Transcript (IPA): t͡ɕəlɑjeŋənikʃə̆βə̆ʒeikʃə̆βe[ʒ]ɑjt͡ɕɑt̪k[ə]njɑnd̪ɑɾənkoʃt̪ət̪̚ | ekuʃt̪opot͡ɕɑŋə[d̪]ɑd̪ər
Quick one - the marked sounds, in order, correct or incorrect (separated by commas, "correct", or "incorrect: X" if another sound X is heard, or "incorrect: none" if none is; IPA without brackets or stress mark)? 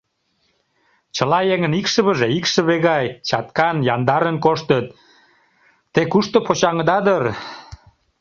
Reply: incorrect: ɣ, incorrect: ɑ, correct